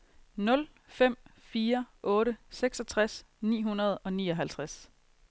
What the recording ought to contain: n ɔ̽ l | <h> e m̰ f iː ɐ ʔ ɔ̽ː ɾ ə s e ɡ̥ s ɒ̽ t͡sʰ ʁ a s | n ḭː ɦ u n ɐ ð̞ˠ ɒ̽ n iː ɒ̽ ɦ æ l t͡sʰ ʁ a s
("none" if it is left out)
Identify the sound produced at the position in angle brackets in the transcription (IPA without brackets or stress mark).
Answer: f